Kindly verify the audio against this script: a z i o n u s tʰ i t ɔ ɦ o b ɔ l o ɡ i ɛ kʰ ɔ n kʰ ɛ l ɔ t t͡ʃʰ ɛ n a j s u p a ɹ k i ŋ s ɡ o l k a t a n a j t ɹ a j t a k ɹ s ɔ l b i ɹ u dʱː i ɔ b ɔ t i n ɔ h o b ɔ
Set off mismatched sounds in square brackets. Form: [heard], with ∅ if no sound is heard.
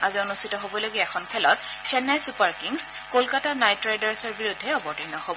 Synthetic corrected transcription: a z i o n u s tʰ i t ɔ ɦ o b ɔ l o ɡ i ɛ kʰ ɔ n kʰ ɛ l ɔ t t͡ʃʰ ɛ n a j s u p a ɹ k i ŋ s [k] o l k a t a n a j t ɹ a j [d] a [∅] ɹ s ɔ [ɹ] b i ɹ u dʱː [ɛ] ɔ b ɔ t i n ɔ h o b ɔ